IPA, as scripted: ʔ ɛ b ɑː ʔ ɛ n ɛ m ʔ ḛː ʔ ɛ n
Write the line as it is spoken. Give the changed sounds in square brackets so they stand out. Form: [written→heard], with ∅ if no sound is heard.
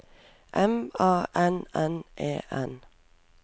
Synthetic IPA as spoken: ʔ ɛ [b→m] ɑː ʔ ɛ n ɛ [m→n] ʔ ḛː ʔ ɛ n